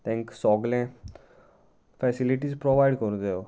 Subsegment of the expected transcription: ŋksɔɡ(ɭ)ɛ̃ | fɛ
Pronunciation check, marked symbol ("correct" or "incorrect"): incorrect